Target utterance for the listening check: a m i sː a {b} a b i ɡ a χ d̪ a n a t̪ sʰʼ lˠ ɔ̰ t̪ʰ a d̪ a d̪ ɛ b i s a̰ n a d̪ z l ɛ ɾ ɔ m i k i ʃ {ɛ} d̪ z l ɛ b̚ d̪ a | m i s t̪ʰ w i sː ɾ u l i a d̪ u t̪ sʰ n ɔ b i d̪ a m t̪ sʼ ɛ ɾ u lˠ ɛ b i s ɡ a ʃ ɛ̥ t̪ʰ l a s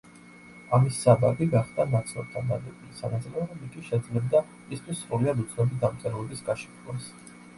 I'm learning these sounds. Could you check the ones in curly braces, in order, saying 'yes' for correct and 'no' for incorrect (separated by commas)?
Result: yes, yes